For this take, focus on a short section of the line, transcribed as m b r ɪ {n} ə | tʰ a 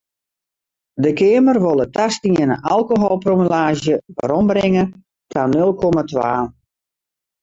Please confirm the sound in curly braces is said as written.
no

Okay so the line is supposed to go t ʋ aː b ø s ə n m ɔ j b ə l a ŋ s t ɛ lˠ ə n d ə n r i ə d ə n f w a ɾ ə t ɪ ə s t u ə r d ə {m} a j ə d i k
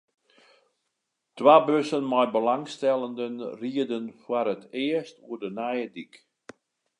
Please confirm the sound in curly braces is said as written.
no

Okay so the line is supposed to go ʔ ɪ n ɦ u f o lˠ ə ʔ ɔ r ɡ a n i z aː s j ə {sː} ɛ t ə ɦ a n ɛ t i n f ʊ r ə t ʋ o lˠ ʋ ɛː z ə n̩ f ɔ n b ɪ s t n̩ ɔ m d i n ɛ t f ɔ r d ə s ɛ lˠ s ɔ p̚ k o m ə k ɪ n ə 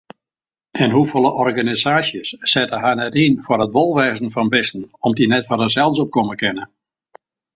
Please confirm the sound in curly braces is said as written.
yes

